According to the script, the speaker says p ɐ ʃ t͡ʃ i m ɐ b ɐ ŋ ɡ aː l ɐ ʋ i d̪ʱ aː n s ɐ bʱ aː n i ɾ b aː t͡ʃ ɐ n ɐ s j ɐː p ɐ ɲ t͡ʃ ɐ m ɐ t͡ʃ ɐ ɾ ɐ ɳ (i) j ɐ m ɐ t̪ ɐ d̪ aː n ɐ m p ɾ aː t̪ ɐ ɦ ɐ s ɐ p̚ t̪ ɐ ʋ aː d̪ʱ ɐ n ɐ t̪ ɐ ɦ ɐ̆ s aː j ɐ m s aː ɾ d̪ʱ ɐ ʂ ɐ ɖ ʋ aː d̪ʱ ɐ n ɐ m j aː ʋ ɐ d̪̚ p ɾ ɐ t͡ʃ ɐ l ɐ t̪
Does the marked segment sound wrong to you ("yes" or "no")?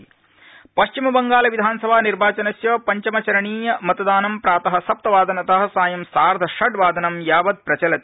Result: yes